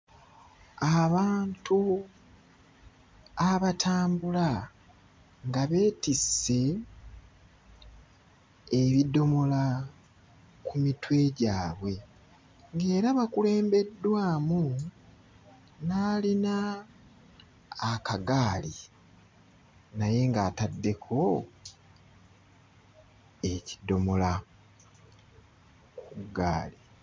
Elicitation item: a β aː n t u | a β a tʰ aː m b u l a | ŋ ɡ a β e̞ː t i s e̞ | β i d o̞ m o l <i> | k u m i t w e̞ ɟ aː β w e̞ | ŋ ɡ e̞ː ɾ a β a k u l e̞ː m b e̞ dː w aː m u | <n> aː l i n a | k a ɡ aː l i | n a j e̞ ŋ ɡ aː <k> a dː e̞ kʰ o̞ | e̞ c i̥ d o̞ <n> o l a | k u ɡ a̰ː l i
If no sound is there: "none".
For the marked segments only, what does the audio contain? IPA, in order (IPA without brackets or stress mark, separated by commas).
a, n, t, m